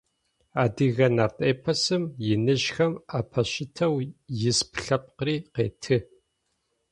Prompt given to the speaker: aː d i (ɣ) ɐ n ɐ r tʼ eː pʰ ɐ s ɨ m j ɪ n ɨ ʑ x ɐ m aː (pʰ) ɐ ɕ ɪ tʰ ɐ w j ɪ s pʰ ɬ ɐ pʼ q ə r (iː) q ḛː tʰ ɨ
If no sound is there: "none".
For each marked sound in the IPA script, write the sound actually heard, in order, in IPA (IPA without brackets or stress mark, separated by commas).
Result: ɣ, pʰ, iː